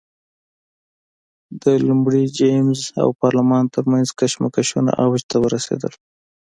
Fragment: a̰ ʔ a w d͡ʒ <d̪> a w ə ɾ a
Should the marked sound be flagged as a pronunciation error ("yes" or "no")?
yes